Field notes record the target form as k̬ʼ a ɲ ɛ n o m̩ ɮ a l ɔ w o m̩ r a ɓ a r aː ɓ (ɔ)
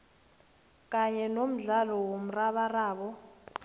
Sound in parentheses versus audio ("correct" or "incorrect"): correct